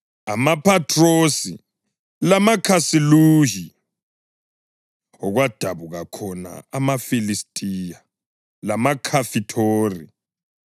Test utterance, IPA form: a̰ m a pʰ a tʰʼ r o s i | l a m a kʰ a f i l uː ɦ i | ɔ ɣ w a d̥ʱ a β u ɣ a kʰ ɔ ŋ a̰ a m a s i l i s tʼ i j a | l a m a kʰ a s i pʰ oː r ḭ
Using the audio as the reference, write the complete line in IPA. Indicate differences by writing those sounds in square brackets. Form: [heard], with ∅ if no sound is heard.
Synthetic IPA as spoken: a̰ m a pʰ a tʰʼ r o s i | l a m a kʰ a [s] i l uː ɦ i | ɔ ɣ w a d̥ʱ a β u ɣ a kʰ ɔ [n] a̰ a m a [f] i l i s tʼ i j a | l a m a kʰ a [f] i [tʰ] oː r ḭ